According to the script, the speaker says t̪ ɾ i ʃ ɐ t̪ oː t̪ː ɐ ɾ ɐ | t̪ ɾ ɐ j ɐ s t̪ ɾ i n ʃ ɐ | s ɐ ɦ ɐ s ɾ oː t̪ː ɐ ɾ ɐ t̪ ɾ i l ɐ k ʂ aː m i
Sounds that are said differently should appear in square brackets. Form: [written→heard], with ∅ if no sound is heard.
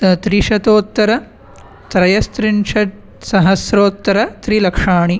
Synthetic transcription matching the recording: t̪ ɾ i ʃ ɐ t̪ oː t̪ː ɐ ɾ ɐ | t̪ ɾ ɐ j ɐ s t̪ ɾ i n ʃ ɐ | s ɐ ɦ ɐ s ɾ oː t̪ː ɐ ɾ ɐ t̪ ɾ i l ɐ k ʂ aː [m→ɳ] i